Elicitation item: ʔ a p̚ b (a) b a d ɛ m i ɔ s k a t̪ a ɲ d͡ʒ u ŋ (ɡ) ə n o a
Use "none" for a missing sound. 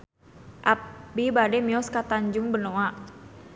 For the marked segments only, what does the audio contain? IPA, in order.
i, b

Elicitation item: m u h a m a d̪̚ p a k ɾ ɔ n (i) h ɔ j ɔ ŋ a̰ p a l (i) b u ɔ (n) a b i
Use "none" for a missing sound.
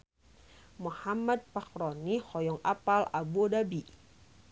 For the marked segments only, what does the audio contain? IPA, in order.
i, a, d

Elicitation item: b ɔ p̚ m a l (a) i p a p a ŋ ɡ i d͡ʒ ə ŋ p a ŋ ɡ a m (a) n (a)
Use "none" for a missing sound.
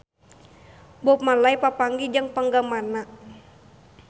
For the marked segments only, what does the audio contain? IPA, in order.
a, a, a

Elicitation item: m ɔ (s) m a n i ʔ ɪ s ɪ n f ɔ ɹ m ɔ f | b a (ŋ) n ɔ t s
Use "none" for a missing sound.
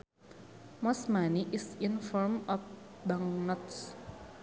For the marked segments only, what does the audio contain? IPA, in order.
s, ŋ

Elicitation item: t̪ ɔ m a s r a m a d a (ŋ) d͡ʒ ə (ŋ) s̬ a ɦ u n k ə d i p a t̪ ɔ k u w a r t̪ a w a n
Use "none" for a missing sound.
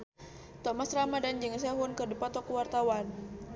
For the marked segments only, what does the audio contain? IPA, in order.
n, ŋ

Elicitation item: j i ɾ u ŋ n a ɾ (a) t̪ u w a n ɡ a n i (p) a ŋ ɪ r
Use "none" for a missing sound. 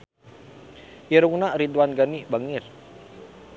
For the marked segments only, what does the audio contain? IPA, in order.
i, b

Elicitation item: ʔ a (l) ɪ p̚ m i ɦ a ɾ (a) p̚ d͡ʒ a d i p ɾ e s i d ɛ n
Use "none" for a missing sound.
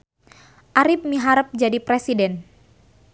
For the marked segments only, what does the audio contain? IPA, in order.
ɾ, ə

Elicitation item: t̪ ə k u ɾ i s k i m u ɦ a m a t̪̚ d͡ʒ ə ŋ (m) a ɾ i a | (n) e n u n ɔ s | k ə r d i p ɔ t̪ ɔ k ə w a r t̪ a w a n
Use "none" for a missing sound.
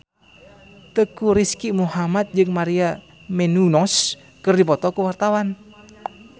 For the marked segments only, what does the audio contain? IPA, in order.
m, m

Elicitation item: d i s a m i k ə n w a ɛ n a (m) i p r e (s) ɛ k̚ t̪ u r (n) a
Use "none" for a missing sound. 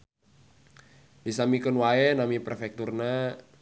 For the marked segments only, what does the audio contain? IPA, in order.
m, f, n

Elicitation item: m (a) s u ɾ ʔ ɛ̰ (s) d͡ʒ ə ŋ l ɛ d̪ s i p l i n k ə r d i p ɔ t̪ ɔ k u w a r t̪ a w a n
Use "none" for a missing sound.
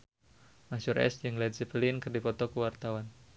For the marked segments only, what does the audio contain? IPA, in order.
a, s

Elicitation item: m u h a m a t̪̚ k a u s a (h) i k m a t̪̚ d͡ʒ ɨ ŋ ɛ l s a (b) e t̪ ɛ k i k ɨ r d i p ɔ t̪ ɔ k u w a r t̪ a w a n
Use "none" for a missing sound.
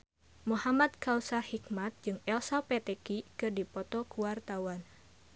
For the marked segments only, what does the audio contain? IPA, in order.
h, p

